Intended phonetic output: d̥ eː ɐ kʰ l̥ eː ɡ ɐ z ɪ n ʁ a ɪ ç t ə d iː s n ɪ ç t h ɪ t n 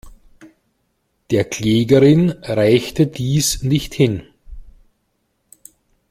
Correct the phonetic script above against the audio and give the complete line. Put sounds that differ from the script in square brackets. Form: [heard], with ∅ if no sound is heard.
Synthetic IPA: d̥ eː ɐ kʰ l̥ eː ɡ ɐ [ʁ] ɪ n ʁ a ɪ ç t ə d iː s n ɪ ç t h ɪ [∅] n